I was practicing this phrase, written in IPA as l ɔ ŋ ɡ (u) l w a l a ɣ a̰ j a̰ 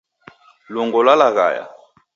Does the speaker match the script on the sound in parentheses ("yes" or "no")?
no